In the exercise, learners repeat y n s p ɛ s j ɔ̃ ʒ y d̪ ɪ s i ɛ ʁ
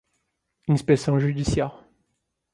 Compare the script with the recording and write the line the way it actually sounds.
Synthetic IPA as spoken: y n s p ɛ s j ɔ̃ ʒ y d̪ i s j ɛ ʁ

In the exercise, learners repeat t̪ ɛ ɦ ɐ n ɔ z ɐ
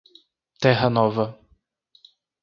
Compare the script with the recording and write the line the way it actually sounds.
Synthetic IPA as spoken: t̪ ɛ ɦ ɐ n ɔ v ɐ

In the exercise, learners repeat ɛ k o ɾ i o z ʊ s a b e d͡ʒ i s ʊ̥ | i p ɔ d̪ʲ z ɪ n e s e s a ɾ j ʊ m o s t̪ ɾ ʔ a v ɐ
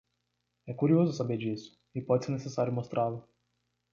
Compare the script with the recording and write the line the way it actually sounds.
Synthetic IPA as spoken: ɛ k u ɾ i o z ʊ s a b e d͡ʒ i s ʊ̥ | i p ɔ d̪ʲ s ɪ n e s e s a ɾ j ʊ m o s t̪ ɾ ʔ a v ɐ

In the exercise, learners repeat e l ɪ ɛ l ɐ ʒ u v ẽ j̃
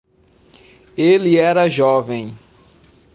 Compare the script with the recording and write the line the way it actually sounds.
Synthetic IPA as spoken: e l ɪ ɛ ɾ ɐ ʒ ɔ v ẽ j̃

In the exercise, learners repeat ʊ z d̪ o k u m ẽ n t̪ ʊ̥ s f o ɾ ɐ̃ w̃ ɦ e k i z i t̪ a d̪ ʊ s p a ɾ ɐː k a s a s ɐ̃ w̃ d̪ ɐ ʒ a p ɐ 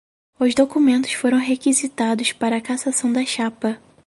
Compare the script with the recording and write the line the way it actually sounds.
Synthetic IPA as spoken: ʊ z d̪ o k u m ẽ n t̪ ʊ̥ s f o ɾ ɐ̃ w̃ ɦ e k i z i t̪ a d̪ ʊ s p a ɾ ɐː k a s a s ɐ̃ w̃ d̪ ɐ ʃ a p ɐ

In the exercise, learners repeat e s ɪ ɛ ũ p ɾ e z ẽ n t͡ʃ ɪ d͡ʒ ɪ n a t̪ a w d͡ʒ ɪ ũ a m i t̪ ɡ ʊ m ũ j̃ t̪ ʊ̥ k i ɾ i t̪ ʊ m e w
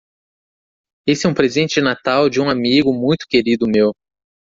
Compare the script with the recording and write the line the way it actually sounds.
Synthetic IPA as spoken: e s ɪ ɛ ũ p ɾ e z ẽ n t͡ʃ ɪ d͡ʒ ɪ n a t̪ a w d͡ʒ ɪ ũ a m i ɡ ʊ m ũ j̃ t̪ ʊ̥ k e ɾ i d̪ ʊ m e w

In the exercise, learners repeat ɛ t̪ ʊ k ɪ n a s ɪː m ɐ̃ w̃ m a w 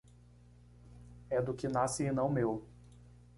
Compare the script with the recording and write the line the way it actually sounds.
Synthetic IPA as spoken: ɛ d̪ ʊ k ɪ n a s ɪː n ɐ̃ w̃ m e w

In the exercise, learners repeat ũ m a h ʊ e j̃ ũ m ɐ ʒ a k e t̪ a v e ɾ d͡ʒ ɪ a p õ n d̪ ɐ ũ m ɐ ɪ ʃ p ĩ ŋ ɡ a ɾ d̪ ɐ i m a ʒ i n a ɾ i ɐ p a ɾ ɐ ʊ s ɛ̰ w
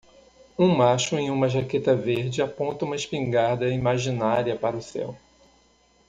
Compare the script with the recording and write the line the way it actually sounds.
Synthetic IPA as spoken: ũ m a ʃ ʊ ẽ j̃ ũ m ɐ ʒ a k e t̪ ɐ v e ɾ d͡ʒ ɪ a p õ n t̪ ɐ ũ m ɐ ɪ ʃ p ĩ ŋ ɡ a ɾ d̪ ɐ i m a ʒ i n a ɾ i ɐ p a ɾ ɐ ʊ s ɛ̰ w

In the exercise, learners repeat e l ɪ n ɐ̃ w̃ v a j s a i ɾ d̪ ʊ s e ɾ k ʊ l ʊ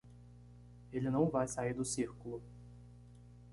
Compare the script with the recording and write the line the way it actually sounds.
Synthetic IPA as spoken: e l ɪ n ɐ̃ w̃ v a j s a i ɾ d̪ ʊ s i ɾ k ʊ l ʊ

